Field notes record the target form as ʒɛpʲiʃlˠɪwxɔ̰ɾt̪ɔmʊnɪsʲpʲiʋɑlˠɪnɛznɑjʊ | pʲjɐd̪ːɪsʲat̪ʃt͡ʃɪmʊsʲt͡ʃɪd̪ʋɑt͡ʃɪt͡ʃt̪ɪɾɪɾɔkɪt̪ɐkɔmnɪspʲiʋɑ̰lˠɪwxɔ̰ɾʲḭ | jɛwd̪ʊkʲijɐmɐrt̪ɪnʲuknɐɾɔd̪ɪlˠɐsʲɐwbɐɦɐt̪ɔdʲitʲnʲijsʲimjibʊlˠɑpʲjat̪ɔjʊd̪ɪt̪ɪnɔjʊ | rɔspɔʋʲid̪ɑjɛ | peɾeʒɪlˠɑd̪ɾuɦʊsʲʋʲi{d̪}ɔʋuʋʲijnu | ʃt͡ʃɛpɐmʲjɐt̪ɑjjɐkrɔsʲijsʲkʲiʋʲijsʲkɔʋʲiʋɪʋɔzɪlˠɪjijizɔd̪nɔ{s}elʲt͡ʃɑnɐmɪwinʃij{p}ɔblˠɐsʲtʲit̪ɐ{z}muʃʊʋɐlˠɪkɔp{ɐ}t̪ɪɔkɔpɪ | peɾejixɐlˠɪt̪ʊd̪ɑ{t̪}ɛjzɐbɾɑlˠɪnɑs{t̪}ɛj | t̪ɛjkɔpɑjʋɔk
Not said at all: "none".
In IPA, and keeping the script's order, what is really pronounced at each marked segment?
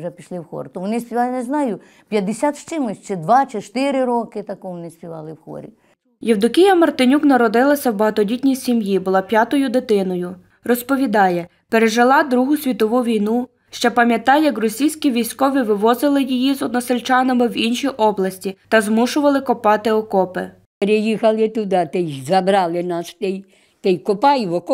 t̪, s, ʔ, z, ɑ, t̪, t̪

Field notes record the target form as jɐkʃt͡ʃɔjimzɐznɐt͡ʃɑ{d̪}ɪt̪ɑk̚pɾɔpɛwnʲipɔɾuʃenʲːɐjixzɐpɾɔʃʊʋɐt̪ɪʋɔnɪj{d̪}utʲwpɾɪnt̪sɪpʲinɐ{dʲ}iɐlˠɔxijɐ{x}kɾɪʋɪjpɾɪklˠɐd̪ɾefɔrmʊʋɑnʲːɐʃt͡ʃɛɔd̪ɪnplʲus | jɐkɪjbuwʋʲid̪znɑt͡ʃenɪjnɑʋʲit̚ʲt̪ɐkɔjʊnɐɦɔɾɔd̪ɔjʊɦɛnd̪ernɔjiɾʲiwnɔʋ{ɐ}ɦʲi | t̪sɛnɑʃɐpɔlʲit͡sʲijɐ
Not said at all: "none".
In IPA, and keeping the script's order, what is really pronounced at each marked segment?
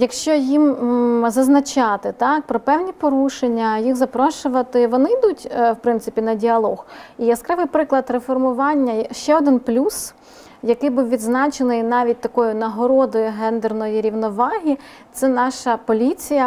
t̪, d̪, dʲ, s, ɑ

